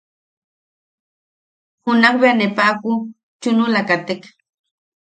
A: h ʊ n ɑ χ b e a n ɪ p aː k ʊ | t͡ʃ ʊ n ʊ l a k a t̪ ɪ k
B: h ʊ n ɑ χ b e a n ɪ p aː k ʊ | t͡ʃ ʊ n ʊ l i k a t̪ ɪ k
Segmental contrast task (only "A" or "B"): A